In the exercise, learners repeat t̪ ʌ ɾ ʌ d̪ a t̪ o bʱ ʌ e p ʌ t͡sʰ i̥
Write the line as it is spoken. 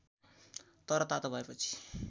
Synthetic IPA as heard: t̪ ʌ ɾ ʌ t̪ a t̪ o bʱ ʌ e p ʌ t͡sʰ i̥